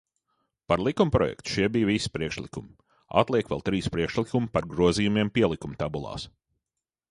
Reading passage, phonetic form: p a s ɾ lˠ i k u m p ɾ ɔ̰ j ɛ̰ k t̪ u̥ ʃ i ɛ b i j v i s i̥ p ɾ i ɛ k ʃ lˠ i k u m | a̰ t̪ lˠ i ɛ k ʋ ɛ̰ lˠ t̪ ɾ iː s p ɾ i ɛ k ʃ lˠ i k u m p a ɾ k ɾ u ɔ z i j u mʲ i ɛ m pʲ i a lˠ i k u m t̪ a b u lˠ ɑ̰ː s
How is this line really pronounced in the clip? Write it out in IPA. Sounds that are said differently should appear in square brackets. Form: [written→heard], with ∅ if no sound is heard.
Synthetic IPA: p a [s→∅] ɾ lˠ i k u m p ɾ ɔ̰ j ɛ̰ k t̪ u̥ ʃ i ɛ b i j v i s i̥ p ɾ i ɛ k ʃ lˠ i k u m | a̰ t̪ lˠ i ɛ k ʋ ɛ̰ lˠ t̪ ɾ iː s p ɾ i ɛ k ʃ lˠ i k u m p a ɾ [k→ɡ] ɾ u ɔ z i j u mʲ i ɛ m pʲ i [a→ɛ] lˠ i k u m t̪ a b u lˠ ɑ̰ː s

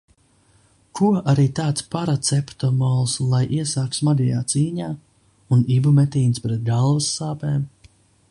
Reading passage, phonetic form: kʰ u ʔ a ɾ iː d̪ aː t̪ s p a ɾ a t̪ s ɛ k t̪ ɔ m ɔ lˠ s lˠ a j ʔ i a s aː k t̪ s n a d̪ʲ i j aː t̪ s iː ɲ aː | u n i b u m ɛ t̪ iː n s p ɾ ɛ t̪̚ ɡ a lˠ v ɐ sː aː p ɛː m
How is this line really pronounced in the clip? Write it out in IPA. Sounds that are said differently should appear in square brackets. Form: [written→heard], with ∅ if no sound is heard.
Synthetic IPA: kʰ u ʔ a ɾ iː [d̪→t̪] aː t̪ s p a ɾ a t̪ s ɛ [k→p] t̪ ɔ m ɔ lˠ s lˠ a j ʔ i [a→ɛ] s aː k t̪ s [n→m] a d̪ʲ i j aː t̪ s iː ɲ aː | u n i b u m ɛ t̪ iː n s p ɾ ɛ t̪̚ ɡ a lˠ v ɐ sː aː p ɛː m

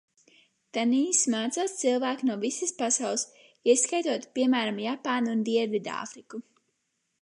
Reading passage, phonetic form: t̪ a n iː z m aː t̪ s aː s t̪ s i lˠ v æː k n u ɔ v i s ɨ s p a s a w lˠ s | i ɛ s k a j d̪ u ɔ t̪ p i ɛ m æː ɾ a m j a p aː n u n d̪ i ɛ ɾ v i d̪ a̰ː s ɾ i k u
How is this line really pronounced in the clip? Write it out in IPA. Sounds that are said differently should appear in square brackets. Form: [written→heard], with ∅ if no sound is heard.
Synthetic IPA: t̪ a n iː [z→s] m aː t̪ s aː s t̪ s i lˠ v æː k n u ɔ v i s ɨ s p a s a w lˠ s | i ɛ s k a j [d̪→t̪] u ɔ t̪ p i ɛ m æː ɾ a m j a p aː n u n d̪ i ɛ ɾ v i d̪ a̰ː [s→f] ɾ i k u

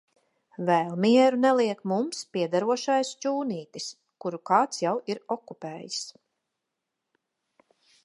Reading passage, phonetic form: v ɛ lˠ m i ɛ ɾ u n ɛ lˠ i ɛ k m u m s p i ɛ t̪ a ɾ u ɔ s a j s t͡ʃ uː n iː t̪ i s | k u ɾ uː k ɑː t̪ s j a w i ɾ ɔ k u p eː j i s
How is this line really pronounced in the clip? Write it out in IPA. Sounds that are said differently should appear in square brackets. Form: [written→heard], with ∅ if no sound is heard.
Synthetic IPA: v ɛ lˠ m i ɛ ɾ u n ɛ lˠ i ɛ k m u m s p i ɛ [t̪→d̪] a ɾ u ɔ [s→ʃ] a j s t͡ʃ uː n iː t̪ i s | k u ɾ [uː→u] k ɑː t̪ s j a w i ɾ ɔ k u p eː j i s

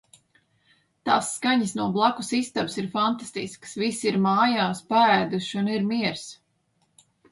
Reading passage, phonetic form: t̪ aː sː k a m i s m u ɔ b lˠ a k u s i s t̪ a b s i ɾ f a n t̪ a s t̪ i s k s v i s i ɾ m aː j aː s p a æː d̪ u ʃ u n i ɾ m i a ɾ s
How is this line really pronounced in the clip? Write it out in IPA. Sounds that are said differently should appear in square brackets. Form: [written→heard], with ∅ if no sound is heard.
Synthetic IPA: t̪ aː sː k a [m→ɲ] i s [m→n] u ɔ b lˠ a k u s i s t̪ a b s i ɾ f a n t̪ a s t̪ i s k s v i s i ɾ m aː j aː s p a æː d̪ u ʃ u n i ɾ m i [a→ɛ] ɾ s

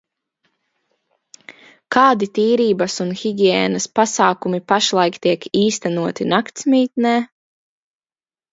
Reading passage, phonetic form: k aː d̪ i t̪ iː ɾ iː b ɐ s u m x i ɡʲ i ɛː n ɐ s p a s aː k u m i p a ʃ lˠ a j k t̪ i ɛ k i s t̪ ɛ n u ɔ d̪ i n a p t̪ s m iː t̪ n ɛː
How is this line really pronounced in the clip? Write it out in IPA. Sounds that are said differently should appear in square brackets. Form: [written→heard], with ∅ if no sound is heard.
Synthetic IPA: k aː d̪ i t̪ iː ɾ iː b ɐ s u [m→n] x i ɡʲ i ɛː n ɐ s p a s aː k u m i p a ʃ lˠ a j k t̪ i ɛ k [i→iː] s t̪ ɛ n u ɔ [d̪→t̪] i n a [p→k] t̪ s m iː t̪ n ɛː

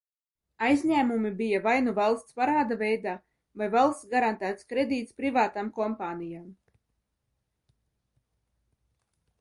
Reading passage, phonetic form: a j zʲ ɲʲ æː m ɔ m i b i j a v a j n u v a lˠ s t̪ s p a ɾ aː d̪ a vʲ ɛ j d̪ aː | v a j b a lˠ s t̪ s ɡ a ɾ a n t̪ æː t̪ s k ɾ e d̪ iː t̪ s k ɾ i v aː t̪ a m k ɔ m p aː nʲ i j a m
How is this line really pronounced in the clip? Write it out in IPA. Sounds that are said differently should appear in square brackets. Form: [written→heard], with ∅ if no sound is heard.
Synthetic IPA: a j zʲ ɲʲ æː m [ɔ→u] m i b i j a v a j n u v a lˠ s t̪ s p a ɾ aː d̪ a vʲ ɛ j d̪ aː | v a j [b→v] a lˠ s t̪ s ɡ a ɾ a n t̪ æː t̪ s k ɾ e d̪ iː t̪ s [k→p] ɾ i v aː t̪ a m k ɔ m p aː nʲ i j a m

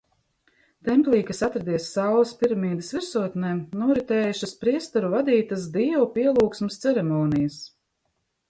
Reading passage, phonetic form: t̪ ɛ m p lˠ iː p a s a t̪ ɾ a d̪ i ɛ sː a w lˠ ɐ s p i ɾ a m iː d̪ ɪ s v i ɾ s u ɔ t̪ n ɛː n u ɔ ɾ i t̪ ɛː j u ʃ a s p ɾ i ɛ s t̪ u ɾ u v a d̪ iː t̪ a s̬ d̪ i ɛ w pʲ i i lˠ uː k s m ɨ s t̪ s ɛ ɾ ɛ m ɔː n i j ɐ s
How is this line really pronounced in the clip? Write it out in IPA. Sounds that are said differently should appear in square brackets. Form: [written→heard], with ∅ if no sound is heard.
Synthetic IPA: t̪ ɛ m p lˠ iː [p→k] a s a t̪ ɾ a d̪ i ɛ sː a w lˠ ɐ s p i ɾ a m iː d̪ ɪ s v i ɾ s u ɔ t̪ n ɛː n u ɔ ɾ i t̪ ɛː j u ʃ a s p ɾ i ɛ s t̪ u ɾ u v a d̪ iː t̪ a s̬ d̪ i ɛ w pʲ i [i→ɛ] lˠ uː k s m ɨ s t̪ s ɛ ɾ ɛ m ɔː n i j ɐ s

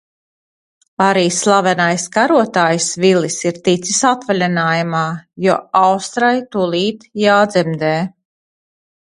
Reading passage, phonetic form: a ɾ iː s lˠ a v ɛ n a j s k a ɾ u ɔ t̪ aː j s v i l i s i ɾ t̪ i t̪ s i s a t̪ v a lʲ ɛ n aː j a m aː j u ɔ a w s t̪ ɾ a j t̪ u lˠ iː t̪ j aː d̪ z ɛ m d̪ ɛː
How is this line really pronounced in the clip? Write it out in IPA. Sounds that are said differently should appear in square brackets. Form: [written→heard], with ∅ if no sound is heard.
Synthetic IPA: a ɾ iː s lˠ a v ɛ n a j s k a ɾ u ɔ t̪ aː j s v i l i s i ɾ t̪ i t̪ s i s a t̪ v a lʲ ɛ n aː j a m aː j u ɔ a w s t̪ ɾ a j t̪ u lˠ iː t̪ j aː d̪ z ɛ m d̪ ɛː

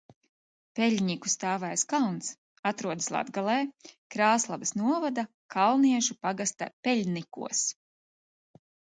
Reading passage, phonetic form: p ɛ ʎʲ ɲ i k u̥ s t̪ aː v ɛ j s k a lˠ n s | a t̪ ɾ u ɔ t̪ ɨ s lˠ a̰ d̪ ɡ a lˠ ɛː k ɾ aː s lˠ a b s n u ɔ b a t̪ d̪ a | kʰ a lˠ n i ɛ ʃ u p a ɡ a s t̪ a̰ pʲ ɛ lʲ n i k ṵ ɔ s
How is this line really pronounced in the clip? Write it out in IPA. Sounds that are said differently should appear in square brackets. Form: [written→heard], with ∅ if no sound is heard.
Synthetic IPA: p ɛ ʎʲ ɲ i k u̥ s t̪ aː v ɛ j s k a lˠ n s | a t̪ ɾ u ɔ [t̪→d̪] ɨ s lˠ a̰ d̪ ɡ a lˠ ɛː k ɾ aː s lˠ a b s n u ɔ [b→v] a [t̪→∅] d̪ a | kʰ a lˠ n i ɛ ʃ u p a ɡ a s t̪ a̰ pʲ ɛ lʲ n i k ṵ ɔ s

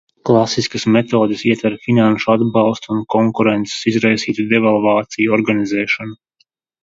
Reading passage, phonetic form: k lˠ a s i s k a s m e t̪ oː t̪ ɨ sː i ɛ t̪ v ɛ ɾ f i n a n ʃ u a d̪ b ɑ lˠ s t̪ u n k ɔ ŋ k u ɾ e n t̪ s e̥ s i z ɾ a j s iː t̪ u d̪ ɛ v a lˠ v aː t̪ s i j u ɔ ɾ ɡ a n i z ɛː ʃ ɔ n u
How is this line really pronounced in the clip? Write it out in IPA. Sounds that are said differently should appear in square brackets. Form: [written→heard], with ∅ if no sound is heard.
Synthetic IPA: k lˠ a s i s k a s m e t̪ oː [t̪→d̪] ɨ [sː→s] i ɛ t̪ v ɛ ɾ f i n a n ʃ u a d̪ b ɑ lˠ s t̪ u n k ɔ ŋ k u ɾ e n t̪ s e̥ s i z ɾ a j s iː t̪ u d̪ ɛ v a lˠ v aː t̪ s i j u ɔ ɾ ɡ a n i z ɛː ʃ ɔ n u

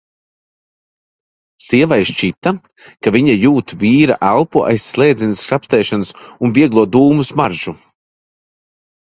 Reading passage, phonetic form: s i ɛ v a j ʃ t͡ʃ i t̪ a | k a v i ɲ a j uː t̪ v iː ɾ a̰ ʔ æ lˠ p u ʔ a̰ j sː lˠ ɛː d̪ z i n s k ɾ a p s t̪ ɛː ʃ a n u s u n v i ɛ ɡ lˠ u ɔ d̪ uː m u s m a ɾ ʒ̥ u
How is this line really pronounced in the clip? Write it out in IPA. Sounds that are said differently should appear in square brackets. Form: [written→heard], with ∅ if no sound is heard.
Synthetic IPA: s i ɛ v a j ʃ t͡ʃ i t̪ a | k a v i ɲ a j uː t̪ v iː ɾ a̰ ʔ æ lˠ p u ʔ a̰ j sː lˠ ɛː d̪ z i n s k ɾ a p s t̪ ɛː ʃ a n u s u n v i ɛ ɡ lˠ u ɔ d̪ uː m u s m a ɾ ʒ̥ u

